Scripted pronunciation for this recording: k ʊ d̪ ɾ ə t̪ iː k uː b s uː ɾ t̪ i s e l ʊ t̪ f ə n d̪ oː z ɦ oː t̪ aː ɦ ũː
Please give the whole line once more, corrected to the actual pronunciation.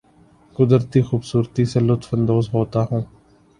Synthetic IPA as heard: k ʊ d̪ ɾ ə t̪ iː x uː b s uː ɾ t̪ i s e l ʊ t̪ f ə n d̪ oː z ɦ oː t̪ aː ɦ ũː